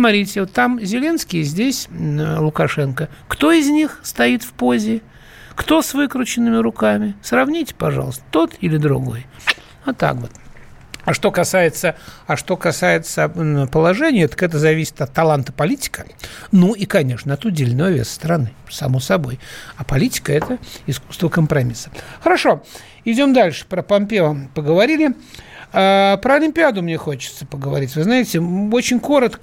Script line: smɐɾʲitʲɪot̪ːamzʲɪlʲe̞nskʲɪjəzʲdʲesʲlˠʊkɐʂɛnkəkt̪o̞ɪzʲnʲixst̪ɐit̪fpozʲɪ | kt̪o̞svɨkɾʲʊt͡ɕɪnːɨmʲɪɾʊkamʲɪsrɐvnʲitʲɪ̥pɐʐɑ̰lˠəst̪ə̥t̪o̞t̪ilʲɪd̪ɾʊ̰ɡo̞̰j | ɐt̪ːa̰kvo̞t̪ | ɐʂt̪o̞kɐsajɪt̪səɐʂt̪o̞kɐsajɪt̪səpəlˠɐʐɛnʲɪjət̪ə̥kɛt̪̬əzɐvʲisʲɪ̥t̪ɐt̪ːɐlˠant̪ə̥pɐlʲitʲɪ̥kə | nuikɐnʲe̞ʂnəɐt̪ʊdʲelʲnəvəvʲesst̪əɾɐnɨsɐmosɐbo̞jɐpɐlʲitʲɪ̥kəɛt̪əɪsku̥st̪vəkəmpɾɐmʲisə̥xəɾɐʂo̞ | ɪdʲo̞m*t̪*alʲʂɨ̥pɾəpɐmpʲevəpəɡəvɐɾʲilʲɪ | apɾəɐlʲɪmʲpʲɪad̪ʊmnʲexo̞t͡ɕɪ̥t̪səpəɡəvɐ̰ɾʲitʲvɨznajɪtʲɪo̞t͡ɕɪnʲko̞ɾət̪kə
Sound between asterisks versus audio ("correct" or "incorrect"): incorrect